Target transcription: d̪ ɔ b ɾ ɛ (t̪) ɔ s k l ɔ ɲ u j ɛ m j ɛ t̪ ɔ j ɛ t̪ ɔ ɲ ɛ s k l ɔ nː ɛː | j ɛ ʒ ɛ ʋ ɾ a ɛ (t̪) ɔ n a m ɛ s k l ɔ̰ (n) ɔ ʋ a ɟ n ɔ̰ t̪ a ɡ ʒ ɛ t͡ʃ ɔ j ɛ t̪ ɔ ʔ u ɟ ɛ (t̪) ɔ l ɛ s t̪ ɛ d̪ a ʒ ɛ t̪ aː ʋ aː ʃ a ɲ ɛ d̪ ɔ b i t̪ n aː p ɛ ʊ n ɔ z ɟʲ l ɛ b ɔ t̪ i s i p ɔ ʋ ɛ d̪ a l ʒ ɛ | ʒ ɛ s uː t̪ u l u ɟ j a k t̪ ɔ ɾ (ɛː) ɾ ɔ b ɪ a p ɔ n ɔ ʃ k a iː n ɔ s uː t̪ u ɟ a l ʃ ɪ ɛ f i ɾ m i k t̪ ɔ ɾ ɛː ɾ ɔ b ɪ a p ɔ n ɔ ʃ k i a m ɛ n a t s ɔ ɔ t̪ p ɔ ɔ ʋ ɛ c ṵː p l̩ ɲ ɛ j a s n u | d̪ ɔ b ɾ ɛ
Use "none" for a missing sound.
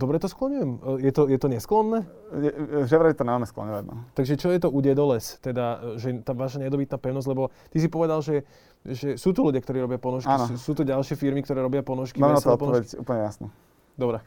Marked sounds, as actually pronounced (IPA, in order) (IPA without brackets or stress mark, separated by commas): t̪, t̪, ɲ, d̪, iː